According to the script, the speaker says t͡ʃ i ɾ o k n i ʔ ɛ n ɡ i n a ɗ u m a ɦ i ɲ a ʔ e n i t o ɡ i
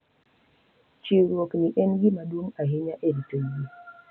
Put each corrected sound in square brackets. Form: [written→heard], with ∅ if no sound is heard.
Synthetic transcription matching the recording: t͡ʃ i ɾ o k n i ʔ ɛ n ɡ i [n→m] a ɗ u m a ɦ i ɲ a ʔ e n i t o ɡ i